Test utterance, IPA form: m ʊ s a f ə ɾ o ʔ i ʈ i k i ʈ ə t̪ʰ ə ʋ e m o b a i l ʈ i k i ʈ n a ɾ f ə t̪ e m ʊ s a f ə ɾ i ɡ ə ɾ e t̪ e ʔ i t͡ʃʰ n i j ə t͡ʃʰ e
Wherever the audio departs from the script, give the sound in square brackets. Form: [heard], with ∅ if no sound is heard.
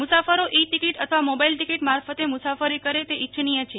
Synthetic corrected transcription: m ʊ s a f ə ɾ o ʔ i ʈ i k i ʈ ə t̪ʰ ə ʋ [a] m o b a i l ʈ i k i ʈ [m] a ɾ f ə t̪ e m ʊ s a f ə ɾ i [k] ə ɾ e t̪ e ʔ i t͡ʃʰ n i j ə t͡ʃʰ e